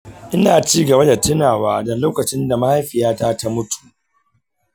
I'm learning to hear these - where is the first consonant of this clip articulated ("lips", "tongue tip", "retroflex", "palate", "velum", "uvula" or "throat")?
throat